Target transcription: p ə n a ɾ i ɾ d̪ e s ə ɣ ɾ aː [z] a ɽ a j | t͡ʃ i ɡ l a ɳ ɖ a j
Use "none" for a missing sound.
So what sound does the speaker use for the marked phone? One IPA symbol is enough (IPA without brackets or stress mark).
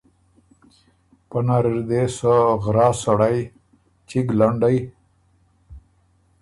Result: s